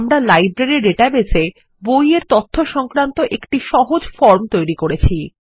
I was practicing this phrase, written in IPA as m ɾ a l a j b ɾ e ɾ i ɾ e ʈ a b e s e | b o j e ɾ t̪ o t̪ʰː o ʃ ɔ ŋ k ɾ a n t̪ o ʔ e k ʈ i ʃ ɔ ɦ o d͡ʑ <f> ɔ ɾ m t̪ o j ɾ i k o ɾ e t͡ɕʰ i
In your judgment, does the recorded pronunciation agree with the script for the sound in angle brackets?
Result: yes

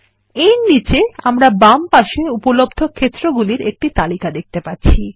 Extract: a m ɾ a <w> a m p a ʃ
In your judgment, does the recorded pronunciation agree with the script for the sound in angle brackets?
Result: no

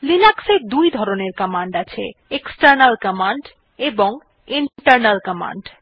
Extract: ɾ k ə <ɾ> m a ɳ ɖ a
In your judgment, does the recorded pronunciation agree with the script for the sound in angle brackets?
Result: no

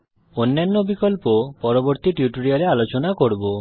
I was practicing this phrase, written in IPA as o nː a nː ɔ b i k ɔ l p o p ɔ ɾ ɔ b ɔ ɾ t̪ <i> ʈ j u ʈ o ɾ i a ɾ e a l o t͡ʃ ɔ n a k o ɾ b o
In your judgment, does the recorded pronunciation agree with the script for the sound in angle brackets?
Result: yes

